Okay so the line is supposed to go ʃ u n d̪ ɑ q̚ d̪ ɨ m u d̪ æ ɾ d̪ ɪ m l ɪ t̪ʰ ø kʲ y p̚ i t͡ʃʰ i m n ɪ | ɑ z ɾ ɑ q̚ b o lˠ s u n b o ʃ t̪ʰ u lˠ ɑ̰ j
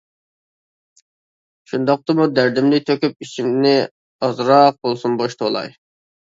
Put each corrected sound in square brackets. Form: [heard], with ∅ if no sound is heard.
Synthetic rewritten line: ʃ u n d̪ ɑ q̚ [t̪] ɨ m u d̪ æ ɾ d̪ ɪ m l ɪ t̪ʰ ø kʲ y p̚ i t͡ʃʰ i m n ɪ | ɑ z ɾ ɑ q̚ b o lˠ s u n b o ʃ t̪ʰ [o] lˠ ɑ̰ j